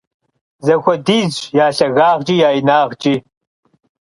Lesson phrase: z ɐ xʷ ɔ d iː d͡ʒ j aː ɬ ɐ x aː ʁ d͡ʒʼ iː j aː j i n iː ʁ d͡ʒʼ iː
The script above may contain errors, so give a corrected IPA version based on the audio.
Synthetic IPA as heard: z ɐ xʷ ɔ d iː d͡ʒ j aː ɬ ɐ ɣ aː ʁ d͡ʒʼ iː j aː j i n aː ʁ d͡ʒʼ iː